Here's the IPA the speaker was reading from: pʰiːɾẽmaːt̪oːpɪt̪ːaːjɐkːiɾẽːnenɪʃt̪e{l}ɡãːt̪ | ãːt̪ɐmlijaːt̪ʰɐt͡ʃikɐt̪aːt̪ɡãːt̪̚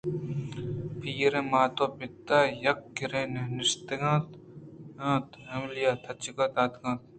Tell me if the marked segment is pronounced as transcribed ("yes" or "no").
no